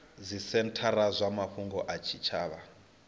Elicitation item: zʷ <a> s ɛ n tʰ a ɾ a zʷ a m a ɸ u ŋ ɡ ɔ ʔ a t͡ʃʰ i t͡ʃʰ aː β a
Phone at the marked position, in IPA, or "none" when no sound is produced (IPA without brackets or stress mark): i